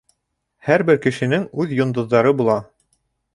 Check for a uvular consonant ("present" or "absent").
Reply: absent